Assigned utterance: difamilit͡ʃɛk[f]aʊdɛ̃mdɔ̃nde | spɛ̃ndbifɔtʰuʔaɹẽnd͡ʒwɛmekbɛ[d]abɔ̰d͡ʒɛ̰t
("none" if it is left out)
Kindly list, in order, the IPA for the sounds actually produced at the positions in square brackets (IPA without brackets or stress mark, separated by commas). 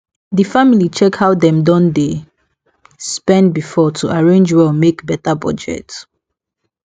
h, t